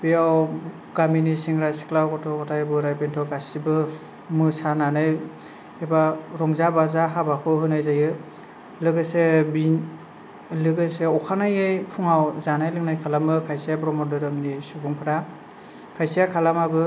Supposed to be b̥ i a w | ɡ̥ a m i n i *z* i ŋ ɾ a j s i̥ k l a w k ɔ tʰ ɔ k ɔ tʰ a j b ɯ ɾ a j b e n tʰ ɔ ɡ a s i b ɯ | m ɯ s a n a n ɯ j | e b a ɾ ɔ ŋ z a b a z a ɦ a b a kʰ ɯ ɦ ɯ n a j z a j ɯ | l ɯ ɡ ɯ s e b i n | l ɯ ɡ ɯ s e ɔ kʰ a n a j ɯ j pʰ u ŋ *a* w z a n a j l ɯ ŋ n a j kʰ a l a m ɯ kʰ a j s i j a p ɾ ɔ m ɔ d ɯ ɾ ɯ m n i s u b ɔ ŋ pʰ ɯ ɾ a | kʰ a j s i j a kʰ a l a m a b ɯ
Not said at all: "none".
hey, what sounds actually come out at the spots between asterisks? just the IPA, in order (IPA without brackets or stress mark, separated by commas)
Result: s, a